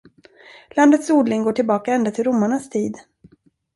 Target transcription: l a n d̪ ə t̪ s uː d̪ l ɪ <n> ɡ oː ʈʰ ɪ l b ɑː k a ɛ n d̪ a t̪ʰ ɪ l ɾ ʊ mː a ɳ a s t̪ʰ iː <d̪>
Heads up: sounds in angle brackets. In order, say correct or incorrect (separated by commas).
incorrect, correct